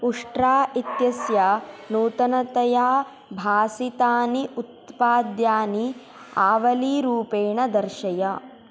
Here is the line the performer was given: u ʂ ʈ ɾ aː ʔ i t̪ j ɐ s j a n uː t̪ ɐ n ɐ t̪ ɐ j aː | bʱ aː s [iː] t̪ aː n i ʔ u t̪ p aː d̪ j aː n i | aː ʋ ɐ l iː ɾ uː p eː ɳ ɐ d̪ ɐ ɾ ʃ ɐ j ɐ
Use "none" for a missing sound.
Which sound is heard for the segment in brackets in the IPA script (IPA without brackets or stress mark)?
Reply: i